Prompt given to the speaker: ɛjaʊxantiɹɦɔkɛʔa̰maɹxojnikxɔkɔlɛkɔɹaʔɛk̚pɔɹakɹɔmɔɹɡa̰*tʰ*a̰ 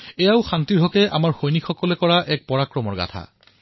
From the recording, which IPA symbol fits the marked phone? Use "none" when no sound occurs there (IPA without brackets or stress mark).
tʰ